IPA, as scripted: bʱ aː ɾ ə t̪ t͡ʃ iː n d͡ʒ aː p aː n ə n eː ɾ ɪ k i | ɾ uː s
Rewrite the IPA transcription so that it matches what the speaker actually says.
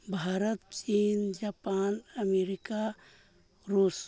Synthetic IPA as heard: bʱ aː ɾ ə t̪ t͡ʃ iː n d͡ʒ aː p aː n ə m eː ɾ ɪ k a | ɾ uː s